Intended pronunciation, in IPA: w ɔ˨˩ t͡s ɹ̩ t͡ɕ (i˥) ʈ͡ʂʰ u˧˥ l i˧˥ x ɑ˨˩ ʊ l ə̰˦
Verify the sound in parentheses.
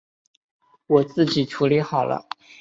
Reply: incorrect: i˨˩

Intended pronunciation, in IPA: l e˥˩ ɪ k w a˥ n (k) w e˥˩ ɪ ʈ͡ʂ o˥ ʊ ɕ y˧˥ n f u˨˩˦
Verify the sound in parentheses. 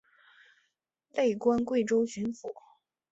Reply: correct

